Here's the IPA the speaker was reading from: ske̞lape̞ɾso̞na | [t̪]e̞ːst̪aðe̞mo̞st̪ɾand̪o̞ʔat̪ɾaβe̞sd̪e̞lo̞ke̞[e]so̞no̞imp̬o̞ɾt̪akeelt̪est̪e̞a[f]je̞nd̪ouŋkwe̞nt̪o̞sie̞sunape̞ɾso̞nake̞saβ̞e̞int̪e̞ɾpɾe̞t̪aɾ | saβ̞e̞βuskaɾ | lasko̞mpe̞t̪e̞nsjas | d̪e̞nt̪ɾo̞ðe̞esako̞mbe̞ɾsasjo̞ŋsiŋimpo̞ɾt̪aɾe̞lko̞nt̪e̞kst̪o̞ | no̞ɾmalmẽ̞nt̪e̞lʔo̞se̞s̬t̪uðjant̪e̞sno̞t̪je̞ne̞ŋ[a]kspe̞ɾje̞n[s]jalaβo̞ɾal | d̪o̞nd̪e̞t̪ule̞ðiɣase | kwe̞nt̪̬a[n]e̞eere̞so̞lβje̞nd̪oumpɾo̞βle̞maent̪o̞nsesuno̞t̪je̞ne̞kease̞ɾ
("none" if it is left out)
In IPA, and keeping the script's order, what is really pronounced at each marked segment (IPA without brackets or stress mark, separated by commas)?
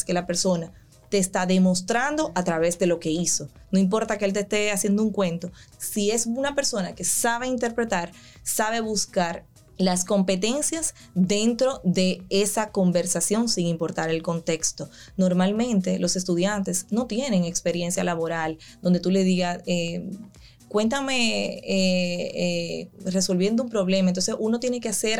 t̪, i, s, e, s, m